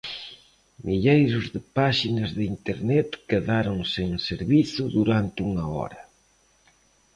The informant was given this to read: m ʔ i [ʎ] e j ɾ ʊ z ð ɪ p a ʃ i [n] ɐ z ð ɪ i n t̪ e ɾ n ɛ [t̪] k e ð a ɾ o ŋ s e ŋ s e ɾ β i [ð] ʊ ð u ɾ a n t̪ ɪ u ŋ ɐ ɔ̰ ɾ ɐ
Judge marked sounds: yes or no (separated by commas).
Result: yes, yes, yes, no